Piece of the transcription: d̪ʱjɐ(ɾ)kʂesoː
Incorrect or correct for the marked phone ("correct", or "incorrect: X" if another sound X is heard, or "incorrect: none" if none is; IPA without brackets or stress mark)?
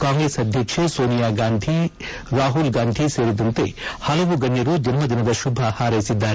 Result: incorrect: none